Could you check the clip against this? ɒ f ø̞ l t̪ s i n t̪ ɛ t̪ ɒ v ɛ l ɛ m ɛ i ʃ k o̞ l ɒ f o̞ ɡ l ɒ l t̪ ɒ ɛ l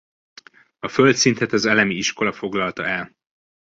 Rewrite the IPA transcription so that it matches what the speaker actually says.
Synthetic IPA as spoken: ɒ f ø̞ l t̪ s i n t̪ ɛ t̪ ɒ z ɛ l ɛ m i i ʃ k o̞ l ɒ f o̞ ɡ l ɒ l t̪ ɒ ɛ l